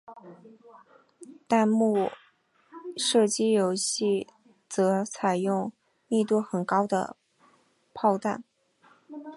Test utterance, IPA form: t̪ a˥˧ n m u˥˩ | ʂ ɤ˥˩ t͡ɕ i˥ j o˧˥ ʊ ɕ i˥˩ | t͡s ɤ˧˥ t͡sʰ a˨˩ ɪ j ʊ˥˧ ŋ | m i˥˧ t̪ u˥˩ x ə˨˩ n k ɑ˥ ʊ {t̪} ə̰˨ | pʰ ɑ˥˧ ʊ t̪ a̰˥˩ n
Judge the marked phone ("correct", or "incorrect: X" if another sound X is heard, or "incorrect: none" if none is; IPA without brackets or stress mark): incorrect: d̪